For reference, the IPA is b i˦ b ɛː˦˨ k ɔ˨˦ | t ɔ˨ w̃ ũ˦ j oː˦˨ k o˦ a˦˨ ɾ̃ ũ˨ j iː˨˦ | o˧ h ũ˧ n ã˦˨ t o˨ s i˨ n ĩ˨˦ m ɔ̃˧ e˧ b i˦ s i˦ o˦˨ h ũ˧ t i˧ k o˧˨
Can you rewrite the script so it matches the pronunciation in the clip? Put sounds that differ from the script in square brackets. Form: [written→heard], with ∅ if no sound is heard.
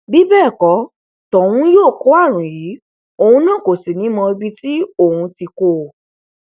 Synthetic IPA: b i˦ b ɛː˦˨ k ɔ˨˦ | t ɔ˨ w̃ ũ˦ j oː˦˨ k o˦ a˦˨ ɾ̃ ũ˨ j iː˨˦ | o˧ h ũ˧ n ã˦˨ [t→k] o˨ s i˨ n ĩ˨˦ m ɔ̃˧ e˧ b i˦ [s→t] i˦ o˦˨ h ũ˧ t i˧ k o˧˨